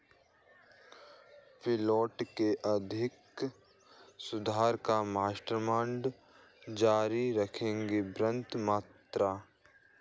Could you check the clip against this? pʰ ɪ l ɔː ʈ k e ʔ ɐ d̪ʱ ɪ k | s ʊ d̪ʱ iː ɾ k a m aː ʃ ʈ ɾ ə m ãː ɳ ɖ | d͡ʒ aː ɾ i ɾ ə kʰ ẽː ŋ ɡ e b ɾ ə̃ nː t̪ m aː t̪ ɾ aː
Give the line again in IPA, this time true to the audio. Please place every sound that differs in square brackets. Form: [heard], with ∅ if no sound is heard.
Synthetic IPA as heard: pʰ ɪ l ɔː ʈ k e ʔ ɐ d̪ʱ ɪ k | s ʊ d̪ʱ [aː] ɾ k a m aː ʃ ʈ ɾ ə m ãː ɳ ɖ | d͡ʒ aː ɾ i ɾ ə kʰ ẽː ŋ ɡ e b ɾ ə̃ [n] t̪ m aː t̪ ɾ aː

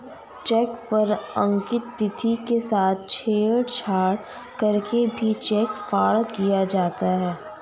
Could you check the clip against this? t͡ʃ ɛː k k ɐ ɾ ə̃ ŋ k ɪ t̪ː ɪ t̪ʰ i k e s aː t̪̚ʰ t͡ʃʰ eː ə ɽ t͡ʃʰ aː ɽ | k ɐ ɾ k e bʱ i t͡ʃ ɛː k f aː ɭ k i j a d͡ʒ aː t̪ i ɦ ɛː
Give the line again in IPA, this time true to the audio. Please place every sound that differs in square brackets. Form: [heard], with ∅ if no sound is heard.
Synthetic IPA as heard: t͡ʃ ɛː k [p] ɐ ɾ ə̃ ŋ k ɪ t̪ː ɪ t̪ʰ i k e s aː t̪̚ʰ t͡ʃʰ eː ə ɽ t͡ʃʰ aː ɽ | k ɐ ɾ k e bʱ i t͡ʃ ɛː k f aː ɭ k i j a d͡ʒ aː t̪ [a] ɦ ɛː

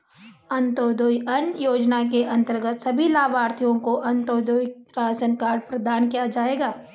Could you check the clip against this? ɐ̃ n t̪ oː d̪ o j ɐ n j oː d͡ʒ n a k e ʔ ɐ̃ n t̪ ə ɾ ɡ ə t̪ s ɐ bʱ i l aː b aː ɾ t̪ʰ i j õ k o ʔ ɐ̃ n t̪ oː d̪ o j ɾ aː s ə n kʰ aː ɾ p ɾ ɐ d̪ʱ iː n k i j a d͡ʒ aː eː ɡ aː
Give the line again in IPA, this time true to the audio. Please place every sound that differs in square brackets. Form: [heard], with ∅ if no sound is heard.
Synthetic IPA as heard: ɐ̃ n t̪ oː d̪ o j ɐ n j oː d͡ʒ n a k e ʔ ɐ̃ n t̪ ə ɾ ɡ ə t̪ s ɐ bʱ i l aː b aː ɾ t̪ʰ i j õ k o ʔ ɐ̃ n t̪ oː d̪ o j ɾ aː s ə n [k] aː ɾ p ɾ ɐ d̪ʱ [aː] n k i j a d͡ʒ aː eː ɡ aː

